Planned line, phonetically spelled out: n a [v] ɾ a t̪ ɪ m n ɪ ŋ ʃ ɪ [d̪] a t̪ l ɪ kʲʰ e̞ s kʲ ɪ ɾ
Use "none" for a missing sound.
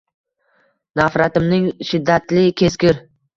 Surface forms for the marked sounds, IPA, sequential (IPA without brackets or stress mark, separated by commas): f, d̪ː